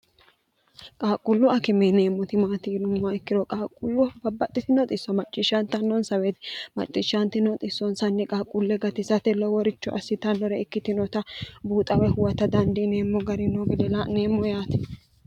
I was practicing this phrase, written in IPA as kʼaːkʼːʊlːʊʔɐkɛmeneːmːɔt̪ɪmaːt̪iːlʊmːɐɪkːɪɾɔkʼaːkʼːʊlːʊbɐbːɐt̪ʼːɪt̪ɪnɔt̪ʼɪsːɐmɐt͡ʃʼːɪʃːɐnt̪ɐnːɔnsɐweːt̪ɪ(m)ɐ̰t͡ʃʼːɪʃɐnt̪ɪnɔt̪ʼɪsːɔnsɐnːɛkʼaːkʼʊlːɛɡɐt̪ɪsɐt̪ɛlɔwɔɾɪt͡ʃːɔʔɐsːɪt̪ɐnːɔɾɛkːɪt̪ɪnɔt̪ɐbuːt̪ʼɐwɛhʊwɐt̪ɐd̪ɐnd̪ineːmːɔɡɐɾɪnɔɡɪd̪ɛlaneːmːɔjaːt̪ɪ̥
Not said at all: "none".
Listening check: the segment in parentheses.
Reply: m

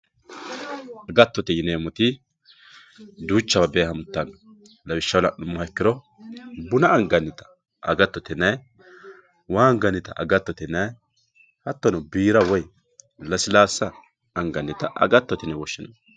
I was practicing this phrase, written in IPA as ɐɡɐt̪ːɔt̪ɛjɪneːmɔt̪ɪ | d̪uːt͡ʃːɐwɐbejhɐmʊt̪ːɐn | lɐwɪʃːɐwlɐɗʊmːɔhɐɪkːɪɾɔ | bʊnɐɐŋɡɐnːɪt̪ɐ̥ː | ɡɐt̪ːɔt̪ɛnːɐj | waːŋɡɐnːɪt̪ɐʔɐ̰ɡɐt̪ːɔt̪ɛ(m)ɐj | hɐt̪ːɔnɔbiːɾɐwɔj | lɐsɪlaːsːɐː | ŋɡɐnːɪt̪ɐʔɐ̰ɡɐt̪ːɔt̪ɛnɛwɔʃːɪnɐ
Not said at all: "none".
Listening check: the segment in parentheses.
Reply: n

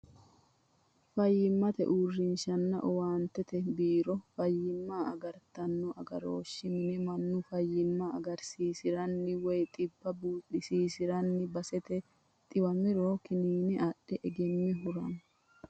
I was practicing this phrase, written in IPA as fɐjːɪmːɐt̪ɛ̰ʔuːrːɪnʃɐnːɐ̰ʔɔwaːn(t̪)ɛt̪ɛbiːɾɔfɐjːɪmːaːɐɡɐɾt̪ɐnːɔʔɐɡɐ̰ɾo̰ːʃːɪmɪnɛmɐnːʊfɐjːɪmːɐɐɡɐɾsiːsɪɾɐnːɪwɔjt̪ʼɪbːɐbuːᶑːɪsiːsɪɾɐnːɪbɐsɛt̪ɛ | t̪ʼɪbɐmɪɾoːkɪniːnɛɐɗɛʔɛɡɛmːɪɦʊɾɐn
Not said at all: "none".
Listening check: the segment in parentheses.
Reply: t̪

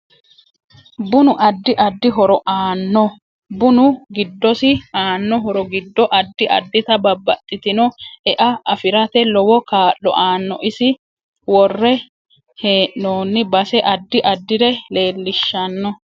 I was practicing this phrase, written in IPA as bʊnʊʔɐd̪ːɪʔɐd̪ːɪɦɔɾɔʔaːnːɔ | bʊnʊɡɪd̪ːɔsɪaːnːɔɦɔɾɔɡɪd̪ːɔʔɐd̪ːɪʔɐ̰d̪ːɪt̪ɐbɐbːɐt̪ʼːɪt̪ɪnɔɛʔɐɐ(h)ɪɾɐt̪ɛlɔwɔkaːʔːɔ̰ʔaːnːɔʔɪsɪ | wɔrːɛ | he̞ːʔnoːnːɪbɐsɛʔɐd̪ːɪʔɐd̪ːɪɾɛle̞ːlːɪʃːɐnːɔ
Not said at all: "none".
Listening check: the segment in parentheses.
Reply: f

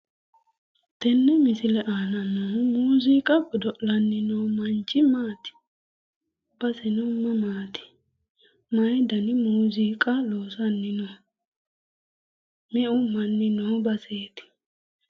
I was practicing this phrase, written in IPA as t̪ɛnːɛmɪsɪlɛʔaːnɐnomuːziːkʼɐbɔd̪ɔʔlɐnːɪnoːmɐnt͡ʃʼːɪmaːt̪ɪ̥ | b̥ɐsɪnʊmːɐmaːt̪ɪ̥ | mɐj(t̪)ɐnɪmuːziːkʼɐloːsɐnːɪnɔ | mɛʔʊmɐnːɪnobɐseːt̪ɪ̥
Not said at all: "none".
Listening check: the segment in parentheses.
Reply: d̪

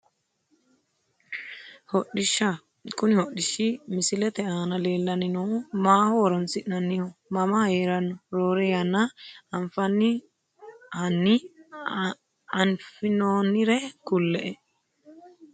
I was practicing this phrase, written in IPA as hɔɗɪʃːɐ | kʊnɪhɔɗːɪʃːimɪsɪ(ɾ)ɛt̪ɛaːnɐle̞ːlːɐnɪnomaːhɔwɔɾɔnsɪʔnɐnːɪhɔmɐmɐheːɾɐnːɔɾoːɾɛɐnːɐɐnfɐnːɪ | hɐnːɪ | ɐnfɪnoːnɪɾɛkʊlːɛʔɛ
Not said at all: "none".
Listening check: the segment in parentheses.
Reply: l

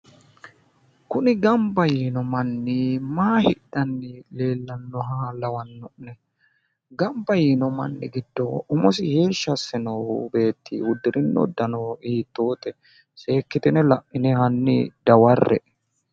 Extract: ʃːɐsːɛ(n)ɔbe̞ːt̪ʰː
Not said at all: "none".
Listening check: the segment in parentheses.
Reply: n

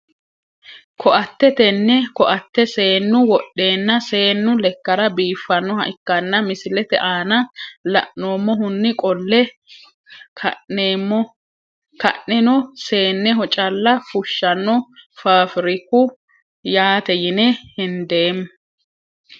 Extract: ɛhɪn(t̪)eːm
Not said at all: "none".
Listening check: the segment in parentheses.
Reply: d̪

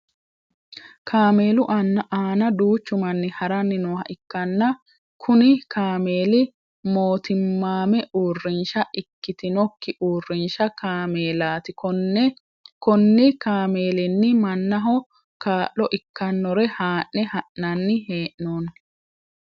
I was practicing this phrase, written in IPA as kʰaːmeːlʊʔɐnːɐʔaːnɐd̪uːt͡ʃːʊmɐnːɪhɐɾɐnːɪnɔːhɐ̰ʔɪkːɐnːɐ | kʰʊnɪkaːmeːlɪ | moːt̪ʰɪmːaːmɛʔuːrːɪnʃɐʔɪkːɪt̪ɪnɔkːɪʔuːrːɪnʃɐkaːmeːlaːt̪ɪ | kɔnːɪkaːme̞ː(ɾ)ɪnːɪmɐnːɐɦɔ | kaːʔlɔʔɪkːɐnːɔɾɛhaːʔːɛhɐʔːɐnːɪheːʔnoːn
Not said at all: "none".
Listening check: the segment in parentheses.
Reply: l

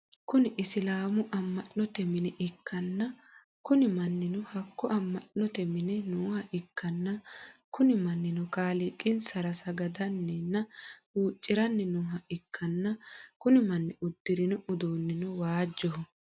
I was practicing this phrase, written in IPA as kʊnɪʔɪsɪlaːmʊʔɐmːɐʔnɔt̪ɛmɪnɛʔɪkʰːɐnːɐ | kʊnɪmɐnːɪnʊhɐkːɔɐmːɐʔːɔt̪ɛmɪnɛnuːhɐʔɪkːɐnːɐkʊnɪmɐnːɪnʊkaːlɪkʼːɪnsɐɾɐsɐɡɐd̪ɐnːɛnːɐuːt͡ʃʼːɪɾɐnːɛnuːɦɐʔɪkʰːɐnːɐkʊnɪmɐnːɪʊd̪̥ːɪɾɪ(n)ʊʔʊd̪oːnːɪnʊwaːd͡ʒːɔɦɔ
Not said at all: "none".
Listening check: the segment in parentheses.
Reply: n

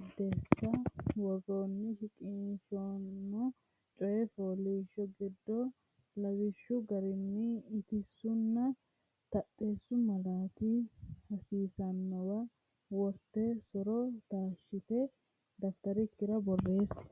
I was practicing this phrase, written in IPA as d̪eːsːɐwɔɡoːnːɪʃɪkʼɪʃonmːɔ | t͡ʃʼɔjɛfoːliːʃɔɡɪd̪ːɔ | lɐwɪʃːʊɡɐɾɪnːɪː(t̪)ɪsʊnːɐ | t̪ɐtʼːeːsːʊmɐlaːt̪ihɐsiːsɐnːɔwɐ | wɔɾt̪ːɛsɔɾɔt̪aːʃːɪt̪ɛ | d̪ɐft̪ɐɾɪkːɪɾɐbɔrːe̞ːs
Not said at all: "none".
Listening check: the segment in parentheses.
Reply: t̪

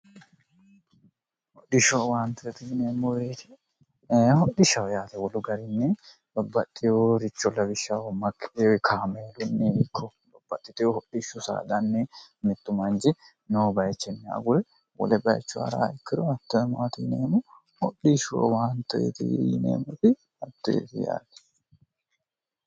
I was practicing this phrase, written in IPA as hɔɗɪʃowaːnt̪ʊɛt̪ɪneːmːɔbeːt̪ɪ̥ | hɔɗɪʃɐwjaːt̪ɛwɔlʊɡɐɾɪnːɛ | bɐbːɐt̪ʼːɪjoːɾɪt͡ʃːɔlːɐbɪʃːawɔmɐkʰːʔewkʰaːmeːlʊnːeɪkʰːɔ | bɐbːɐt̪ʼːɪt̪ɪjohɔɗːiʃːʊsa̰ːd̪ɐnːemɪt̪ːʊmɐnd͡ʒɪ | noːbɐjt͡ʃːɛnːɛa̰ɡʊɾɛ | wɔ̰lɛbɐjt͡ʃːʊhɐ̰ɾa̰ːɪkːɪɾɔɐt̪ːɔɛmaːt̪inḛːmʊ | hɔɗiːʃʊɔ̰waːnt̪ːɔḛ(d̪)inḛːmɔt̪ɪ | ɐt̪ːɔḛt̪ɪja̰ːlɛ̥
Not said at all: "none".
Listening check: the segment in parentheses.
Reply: t̪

